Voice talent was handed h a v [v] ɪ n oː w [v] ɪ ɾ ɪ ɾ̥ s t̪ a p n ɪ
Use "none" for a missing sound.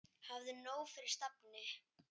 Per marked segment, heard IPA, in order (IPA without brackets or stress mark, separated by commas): ð, f